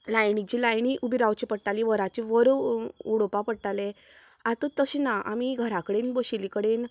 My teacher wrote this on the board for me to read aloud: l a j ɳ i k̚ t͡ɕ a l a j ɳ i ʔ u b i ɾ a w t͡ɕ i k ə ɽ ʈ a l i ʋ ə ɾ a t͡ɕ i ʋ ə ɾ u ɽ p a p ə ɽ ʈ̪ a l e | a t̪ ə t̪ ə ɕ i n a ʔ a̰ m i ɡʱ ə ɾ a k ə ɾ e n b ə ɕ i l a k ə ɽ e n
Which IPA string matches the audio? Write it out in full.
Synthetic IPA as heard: l a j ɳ i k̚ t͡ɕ i l a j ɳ i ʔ u b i ɾ a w t͡ɕ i p ə ɽ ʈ a l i ʋ ə ɾ a t͡ɕ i ʋ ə ɾ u ɽ p a p ə ɽ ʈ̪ a l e | a t̪ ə t̪ ə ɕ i n a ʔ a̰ m i ɡʱ ə ɾ a k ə ɽ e n b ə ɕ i l i k ə ɽ e n